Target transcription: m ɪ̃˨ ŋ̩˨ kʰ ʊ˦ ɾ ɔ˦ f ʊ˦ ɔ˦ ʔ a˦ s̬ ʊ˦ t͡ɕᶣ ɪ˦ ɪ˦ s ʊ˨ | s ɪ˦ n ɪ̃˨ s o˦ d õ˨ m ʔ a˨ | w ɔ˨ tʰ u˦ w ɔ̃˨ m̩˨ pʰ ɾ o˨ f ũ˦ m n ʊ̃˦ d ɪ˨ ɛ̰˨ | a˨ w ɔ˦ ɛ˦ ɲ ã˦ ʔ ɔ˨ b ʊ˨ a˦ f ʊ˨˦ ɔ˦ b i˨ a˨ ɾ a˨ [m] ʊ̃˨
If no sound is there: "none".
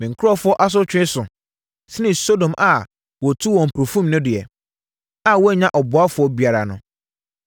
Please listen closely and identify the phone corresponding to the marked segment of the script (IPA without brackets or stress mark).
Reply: n